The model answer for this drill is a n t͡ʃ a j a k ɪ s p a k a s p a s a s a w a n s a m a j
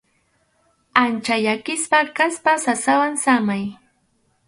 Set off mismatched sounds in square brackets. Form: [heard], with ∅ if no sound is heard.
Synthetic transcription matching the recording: a n t͡ʃ a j a k ɪ s p a k a s p a s a s a w a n s a m a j